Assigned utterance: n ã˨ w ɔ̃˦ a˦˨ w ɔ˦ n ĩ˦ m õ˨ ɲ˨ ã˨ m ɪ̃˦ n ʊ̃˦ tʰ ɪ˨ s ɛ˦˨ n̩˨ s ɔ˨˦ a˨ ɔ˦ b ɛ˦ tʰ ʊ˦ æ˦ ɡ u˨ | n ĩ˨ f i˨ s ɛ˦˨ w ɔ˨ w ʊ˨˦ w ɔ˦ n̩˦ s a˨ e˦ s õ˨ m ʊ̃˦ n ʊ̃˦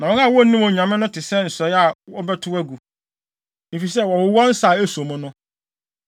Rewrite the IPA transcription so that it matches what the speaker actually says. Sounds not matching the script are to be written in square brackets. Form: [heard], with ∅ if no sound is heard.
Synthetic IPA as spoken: n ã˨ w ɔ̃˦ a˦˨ w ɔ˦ n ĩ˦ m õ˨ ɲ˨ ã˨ m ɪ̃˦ n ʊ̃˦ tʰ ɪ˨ s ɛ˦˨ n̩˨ s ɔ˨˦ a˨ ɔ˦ b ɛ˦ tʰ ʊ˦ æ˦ ɡ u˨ | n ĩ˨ f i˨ s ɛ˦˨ w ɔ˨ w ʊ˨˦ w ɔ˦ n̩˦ s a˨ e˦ s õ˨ m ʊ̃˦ n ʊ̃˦